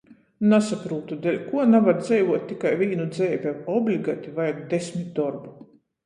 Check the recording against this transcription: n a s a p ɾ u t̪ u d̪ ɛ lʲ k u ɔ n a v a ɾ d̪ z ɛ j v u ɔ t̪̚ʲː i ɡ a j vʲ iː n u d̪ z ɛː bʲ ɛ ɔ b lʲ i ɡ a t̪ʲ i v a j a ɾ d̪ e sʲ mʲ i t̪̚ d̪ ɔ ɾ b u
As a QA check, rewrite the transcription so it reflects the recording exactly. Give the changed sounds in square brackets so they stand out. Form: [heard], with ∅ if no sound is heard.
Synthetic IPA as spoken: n a s a p ɾ [uː] t̪ u d̪ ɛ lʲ k u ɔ n a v a ɾ d̪ z ɛ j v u ɔ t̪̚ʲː i [k] a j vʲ iː n u d̪ z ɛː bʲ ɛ ɔ b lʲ i ɡ a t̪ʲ i v a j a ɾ d̪ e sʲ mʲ i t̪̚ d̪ ɔ ɾ b u